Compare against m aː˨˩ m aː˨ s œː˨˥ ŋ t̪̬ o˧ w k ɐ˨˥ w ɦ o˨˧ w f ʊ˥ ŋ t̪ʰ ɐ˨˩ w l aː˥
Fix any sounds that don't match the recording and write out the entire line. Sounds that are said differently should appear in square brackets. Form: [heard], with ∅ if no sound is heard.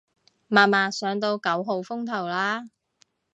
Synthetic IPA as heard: m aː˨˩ m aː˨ s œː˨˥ ŋ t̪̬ o˧ w k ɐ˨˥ w ɦ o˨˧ w f ʊ˥ ŋ t̪ʰ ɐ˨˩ w l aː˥